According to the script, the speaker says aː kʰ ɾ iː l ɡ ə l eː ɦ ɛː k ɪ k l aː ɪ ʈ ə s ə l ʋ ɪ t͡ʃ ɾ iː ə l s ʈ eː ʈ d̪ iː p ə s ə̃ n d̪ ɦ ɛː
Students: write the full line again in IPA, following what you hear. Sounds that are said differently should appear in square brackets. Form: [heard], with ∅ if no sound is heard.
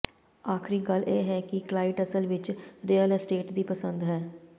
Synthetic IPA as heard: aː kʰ ɾ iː [∅] ɡ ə l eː ɦ ɛː k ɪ k l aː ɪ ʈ ə s ə l ʋ ɪ t͡ʃ ɾ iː ə l s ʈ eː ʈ d̪ iː p ə s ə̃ n d̪ ɦ ɛː